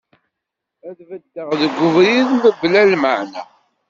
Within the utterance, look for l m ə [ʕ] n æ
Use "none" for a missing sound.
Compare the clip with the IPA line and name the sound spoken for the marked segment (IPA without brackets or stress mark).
ʕ